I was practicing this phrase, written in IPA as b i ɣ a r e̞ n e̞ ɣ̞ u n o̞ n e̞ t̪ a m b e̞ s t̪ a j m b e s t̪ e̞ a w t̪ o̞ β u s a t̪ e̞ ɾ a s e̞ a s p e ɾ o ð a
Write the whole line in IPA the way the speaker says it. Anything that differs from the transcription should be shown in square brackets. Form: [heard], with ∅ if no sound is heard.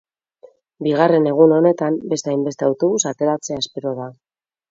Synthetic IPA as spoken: b i ɣ a r e̞ n e̞ ɣ̞ u n o̞ n e̞ t̪ a m b e̞ s t̪ a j m b e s t̪ e̞ a w t̪ o̞ β u s a t̪ e̞ ɾ a [t͡s] e̞ a s p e ɾ o ð a